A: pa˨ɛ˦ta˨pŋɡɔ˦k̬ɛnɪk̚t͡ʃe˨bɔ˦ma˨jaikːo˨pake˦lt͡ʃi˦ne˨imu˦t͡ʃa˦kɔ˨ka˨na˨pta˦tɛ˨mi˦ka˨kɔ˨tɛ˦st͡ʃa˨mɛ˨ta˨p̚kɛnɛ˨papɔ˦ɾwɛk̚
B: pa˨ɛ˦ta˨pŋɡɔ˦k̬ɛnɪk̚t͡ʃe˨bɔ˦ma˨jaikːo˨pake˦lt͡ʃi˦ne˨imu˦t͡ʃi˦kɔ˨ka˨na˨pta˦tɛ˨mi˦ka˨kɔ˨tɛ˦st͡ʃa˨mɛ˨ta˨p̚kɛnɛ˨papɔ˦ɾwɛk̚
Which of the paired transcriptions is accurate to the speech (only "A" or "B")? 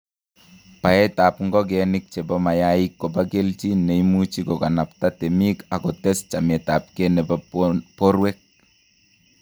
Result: B